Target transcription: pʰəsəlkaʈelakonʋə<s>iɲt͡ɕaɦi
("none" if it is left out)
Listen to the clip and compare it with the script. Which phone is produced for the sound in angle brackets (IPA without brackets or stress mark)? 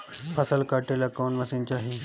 s